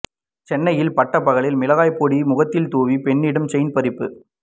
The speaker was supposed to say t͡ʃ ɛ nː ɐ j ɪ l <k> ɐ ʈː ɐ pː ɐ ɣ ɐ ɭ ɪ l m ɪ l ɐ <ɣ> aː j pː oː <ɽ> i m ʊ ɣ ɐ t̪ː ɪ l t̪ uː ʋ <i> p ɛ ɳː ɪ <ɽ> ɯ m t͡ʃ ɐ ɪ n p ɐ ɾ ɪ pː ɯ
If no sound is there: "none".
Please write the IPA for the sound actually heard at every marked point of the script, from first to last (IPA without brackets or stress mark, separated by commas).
p, ɣ, ɽ, i, ɽ